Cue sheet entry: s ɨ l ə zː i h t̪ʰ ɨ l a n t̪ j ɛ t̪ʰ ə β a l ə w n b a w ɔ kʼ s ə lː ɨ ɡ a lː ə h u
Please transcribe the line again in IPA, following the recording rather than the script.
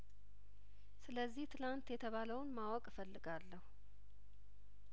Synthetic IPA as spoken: s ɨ l ə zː i h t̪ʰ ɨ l a n t̪ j ɛ t̪ʰ ə β a l ə w n m a w ɔ kʼ f ə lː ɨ ɡ a lː ə h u

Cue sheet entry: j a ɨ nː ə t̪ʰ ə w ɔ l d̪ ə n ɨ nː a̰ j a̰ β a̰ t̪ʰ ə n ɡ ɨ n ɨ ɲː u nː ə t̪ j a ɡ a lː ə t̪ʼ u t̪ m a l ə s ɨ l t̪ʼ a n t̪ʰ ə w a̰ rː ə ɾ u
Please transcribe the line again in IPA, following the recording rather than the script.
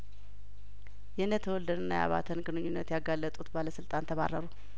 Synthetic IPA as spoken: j ɛ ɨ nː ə t̪ʰ ə w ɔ l d̪ ə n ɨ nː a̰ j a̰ β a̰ t̪ʰ ə n ɡ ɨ n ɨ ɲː u nː ə t̪ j a ɡ a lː ə t̪ʼ u t̪ b a l ə s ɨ l t̪ʼ a n t̪ʰ ə β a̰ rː ə ɾ u

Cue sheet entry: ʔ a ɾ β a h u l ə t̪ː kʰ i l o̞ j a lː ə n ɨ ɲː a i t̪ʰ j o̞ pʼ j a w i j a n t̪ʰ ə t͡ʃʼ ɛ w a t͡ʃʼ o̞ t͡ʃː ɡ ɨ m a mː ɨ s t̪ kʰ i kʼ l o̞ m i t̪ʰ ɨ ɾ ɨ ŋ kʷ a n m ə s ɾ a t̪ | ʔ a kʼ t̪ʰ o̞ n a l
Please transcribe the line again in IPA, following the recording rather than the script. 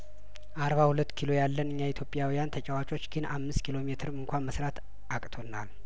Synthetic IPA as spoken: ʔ a ɾ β a h u l ə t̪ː kʰ i l o̞ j a lː ə n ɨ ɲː a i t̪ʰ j o̞ pʼ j a w i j a n t̪ʰ ə t͡ʃʼ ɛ w a t͡ʃʼ o̞ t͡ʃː ɡ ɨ n a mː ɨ s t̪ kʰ i l o̞ m e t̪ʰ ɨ ɾ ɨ ŋ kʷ a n m ə s ɾ a t̪ | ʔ a kʼ t̪ʰ o̞ n a l

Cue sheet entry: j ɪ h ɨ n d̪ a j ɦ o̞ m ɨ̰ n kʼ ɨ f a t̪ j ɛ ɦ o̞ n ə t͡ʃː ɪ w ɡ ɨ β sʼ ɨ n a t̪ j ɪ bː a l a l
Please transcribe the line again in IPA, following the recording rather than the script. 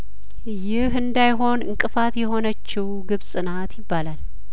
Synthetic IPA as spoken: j ɪ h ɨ n d̪ a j ɦ o̞ n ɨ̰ ŋ kʼ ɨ f a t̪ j ɛ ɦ o̞ n ə t͡ʃː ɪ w ɡ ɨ β sʼ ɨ n a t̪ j ɪ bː a l a l

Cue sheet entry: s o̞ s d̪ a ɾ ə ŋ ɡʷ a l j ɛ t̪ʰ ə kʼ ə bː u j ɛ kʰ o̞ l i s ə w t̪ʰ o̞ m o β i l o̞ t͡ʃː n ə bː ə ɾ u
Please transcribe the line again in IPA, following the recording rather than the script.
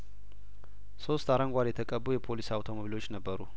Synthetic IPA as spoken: s o̞ s t̪ a ɾ ə ŋ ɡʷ a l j ɛ t̪ʰ ə kʼ ə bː u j ɛ pʰ o̞ l i s a w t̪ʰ o̞ m o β i l o̞ t͡ʃː n ə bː ə ɾ u

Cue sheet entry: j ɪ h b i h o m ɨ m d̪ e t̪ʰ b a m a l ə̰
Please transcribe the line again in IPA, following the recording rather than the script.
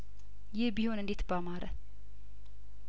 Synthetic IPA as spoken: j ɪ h b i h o n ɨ n d̪ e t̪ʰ b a m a ɾ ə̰

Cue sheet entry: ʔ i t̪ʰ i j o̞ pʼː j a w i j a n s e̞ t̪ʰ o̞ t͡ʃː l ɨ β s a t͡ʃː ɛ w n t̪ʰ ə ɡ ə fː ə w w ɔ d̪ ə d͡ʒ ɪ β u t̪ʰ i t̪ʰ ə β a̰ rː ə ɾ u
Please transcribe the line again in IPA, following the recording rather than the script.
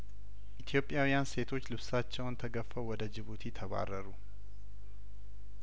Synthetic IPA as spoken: ʔ i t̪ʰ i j o̞ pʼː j a w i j a n s e̞ t̪ʰ o̞ t͡ʃː l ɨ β s a t͡ʃː ɛ w n t̪ʰ ə ɡ ə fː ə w w ɔ d̪ ə d͡ʒ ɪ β u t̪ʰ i t̪ʰ ə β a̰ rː ə ɾ u

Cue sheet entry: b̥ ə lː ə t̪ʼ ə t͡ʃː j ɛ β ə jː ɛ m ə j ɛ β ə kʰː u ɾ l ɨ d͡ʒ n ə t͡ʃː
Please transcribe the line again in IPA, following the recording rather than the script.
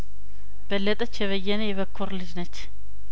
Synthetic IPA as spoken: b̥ ə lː ə t̪ʼ ə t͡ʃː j ɛ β ə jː ɛ n ə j ɛ β ə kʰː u ɾ l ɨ d͡ʒ n ə t͡ʃː

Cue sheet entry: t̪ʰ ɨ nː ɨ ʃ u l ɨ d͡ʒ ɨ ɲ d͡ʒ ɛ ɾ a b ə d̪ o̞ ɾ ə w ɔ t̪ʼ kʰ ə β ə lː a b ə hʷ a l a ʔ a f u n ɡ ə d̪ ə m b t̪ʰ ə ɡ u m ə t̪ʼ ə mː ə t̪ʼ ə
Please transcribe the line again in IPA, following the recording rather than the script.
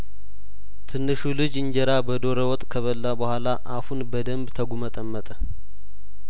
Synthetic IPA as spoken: t̪ʰ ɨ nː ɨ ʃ u l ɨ d͡ʒ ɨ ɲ d͡ʒ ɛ ɾ a b ə d̪ o̞ ɾ ə w ɔ t̪ʼ kʰ ə β ə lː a b ə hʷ a l a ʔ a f u n b ə d̪ ə m b t̪ʰ ə ɡ u m ə t̪ʼ ə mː ə t̪ʼ ə

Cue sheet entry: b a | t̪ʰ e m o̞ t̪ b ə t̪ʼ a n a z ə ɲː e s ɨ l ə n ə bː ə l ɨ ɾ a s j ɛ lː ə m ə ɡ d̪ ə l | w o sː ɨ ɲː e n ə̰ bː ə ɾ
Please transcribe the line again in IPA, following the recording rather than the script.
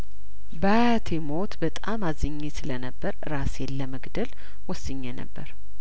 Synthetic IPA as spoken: b a | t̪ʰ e m o̞ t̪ b ə t̪ʼ a m a z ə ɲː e s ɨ l ə n ə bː ə ɾ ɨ ɾ a s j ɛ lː ə m ə ɡ d̪ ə l | w ɔ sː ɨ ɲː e n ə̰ bː ə ɾ

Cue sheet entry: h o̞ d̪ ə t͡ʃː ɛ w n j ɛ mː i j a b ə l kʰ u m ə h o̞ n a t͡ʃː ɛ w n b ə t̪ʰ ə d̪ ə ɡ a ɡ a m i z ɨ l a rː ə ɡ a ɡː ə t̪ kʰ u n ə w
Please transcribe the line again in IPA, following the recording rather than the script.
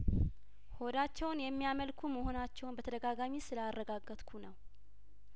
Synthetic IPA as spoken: h o̞ d̪ a t͡ʃː ɛ w n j ɛ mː i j a m ə l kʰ u m ə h o̞ n a t͡ʃː ɛ w n b ə t̪ʰ ə d̪ ə ɡ a ɡ a m i s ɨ l a rː ə ɡ a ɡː ə t̪ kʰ u n ə w

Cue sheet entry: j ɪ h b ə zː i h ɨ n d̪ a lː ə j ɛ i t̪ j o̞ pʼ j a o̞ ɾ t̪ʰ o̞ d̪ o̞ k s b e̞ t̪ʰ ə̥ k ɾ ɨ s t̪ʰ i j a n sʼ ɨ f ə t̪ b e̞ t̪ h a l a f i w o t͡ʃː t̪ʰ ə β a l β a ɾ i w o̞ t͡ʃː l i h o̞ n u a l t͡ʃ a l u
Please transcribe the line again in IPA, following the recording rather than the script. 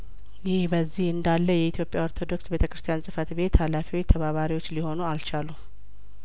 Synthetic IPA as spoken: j ɪ h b ə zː i h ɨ n d̪ a lː ə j ɛ i t̪ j o̞ pʼ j a o̞ ɾ t̪ʰ o̞ d̪ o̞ k s b e̞ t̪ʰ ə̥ k ɾ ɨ s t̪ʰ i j a n sʼ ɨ f ə t̪ b e̞ t̪ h a l a f i w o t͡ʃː t̪ʰ ə β a β a ɾ i w o̞ t͡ʃː l i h o̞ n u a l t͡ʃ a l u

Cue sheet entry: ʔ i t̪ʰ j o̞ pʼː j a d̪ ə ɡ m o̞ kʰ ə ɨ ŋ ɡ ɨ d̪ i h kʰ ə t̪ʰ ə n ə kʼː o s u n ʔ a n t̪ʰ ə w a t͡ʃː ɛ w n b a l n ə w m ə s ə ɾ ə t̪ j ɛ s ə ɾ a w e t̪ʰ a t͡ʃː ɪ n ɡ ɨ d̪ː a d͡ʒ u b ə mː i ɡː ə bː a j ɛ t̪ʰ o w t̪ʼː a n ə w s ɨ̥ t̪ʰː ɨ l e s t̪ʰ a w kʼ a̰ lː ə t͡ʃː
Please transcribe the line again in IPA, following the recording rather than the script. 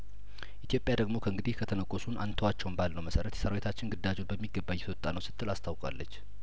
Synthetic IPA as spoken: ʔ i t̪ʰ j o̞ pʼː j a d̪ ə ɡ m o̞ kʰ ə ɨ ŋ ɡ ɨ d̪ i h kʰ ə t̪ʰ ə n ə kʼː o s u n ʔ a n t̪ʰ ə w a t͡ʃː ɛ w n b a l n ə w m ə s ə ɾ ə t̪ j ɛ s ə ɾ a w e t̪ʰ a t͡ʃː ɪ n ɡ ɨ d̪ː a d͡ʒ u b ə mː i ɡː ə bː a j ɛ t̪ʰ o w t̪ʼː a n ə w s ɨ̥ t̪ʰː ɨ l a s t̪ʰ a w kʼ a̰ lː ə t͡ʃː

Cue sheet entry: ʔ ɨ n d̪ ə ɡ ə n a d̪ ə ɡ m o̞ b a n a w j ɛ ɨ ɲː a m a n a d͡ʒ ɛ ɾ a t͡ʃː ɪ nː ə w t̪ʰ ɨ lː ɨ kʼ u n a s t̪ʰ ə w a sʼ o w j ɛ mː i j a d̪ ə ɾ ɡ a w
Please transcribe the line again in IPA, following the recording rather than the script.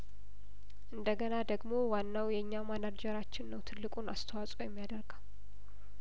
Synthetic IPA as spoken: ʔ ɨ n d̪ ə ɡ ə n a d̪ ə ɡ m o̞ w a nː a w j ɛ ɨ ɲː a m a n a d͡ʒ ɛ ɾ a t͡ʃː ɪ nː ə w t̪ʰ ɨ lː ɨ kʼ u n a s t̪ʰ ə w a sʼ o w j ɛ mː i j a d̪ ə ɾ ɡ a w

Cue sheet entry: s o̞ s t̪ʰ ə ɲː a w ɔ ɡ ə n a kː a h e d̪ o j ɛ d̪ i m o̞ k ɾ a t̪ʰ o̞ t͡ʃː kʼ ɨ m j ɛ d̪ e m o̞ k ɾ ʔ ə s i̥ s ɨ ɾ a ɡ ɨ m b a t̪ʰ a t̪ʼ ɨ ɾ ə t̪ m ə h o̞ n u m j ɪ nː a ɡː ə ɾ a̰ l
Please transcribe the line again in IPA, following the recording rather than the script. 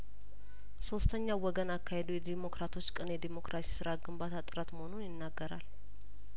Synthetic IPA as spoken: s o̞ s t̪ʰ ə ɲː a w ɔ ɡ ə n a kː a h e d̪ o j ɛ d̪ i m o̞ k ɾ a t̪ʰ o̞ t͡ʃː kʼ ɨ n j ɛ d̪ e m o̞ k ɾ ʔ a s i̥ s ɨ ɾ a ɡ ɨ m b a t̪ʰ a t̪ʼ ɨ ɾ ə t̪ m ə h o̞ n u n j ɪ nː a ɡː ə ɾ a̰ l

